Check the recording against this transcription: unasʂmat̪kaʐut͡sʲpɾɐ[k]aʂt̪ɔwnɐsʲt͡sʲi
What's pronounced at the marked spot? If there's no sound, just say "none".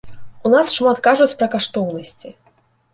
k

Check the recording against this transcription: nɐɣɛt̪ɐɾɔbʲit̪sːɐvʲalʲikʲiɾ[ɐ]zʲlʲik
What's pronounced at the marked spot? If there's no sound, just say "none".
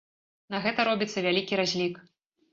a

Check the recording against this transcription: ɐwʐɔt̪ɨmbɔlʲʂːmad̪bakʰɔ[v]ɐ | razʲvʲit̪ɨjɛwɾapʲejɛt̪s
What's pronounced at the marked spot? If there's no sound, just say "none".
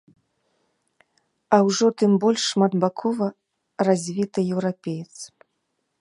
v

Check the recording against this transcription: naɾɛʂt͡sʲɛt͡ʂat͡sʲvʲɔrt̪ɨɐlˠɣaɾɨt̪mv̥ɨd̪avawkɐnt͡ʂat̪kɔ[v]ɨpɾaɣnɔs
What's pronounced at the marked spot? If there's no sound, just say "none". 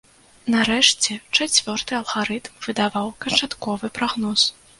v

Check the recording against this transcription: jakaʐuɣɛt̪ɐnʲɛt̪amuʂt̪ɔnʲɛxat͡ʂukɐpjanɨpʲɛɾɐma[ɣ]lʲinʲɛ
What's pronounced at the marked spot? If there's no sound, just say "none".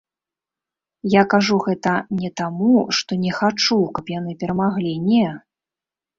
ɣ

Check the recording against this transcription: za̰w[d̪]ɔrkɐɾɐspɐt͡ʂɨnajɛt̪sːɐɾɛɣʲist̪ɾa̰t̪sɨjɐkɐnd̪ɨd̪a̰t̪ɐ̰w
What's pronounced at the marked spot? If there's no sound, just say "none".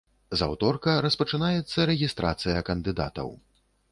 t̪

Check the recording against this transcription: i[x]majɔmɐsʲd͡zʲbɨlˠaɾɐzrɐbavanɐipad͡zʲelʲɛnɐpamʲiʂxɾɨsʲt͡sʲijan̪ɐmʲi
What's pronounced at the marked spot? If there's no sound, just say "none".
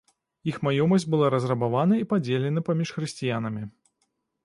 x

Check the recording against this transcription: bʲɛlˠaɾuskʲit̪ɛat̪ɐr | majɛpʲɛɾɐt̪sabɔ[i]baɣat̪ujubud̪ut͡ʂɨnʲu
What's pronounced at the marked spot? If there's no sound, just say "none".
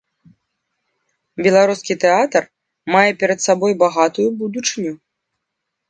j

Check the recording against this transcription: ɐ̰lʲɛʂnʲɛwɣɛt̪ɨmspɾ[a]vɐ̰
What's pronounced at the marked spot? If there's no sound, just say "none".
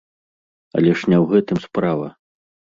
a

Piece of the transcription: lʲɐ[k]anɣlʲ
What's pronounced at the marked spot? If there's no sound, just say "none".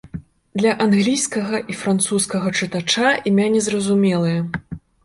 ʔ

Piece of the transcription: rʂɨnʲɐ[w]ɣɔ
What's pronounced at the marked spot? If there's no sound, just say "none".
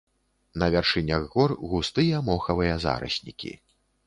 ɣ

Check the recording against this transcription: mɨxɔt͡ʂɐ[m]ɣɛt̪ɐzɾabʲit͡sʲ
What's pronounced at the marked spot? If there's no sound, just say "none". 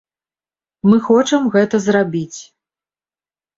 m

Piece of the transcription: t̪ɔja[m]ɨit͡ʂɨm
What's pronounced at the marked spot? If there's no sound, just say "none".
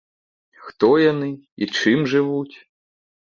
n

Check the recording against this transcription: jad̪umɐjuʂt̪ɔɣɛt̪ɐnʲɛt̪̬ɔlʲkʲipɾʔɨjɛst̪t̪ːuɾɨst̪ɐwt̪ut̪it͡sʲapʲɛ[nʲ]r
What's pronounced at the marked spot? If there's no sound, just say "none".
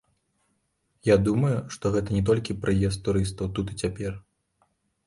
none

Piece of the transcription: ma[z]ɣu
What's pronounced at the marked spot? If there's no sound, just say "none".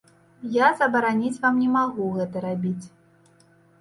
none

